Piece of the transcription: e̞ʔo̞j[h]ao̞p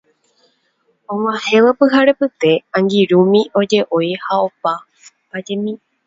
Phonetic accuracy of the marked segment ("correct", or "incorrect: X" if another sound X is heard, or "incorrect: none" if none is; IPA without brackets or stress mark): correct